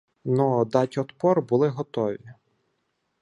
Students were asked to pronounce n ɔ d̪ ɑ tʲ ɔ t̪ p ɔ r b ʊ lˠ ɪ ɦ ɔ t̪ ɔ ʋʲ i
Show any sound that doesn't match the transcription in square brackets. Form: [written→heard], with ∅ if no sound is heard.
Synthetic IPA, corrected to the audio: n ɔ d̪ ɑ tʲ ɔ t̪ p ɔ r b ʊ lˠ ɪ ɦ ɔ t̪ ɔ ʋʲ i